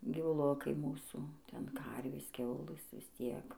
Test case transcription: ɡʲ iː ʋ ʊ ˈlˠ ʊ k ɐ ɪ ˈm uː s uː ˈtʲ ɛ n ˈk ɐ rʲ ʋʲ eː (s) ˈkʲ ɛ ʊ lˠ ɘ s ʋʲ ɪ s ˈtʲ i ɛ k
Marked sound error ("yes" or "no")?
no